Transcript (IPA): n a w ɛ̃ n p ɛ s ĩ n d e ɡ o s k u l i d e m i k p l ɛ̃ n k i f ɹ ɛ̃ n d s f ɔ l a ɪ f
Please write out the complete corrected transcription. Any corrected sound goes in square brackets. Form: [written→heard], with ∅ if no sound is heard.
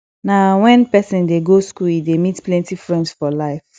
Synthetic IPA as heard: n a w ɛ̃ n p ɛ s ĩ n d e ɡ o s k u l i d e m i [k→t] p l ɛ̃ n [k→t] i f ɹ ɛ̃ n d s f ɔ l a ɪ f